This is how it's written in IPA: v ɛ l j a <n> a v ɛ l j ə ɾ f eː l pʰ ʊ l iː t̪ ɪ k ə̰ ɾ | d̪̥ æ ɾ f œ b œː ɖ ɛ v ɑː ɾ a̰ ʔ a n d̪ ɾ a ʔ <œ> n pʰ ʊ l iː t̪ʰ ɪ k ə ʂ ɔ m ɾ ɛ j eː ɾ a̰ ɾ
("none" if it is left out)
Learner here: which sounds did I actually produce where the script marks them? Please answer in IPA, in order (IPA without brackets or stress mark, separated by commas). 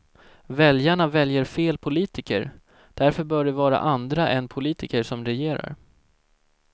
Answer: ɳ, ɛ